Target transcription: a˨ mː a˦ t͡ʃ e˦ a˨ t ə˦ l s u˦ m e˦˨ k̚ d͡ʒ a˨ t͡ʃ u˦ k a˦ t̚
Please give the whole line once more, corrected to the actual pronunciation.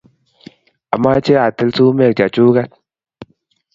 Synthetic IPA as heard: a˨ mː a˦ t͡ʃ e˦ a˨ t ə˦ l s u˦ m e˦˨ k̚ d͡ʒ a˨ t͡ʃ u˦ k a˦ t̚